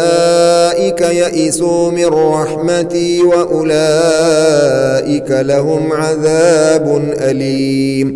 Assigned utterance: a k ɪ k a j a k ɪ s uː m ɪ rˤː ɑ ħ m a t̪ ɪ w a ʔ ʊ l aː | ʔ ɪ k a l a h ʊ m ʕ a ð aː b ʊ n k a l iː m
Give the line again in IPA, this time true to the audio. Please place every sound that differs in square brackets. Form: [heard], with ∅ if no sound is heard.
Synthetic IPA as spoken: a [ʔ] ɪ k a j a [ʔ] ɪ s uː m ɪ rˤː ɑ ħ m a t̪ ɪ w a ʔ ʊ l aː | ʔ ɪ k a l a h ʊ m ʕ a ð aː b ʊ n [ʔ] a l iː m